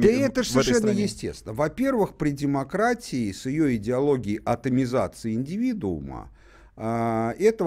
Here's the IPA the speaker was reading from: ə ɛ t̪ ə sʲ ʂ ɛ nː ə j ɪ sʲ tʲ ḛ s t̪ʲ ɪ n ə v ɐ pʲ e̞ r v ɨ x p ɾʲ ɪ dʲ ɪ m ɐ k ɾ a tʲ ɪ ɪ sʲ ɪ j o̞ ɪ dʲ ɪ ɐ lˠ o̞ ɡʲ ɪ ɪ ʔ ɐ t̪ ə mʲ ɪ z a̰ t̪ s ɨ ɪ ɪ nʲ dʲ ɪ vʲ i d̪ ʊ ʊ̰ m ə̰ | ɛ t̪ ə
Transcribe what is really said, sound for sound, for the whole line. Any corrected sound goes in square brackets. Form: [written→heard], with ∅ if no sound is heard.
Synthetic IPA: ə ɛ t̪ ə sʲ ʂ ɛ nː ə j ɪ sʲ tʲ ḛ s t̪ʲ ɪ n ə v ɐ pʲ e̞ r v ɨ x p ɾʲ ɪ dʲ ɪ m ɐ k ɾ a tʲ ɪ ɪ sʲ ɪ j o̞ ɪ dʲ ɪ ɐ lˠ o̞ ɡʲ ɪ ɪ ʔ ɐ t̪ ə mʲ ɪ z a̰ t̪ s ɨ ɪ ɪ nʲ dʲ ɪ vʲ i d̪ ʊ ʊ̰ m ə̰ | ɛ t̪ ə